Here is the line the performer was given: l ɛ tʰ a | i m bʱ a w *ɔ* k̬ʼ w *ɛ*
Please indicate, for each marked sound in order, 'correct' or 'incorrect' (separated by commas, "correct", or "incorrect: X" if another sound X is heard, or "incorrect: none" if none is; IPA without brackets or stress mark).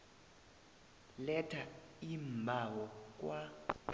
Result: correct, incorrect: a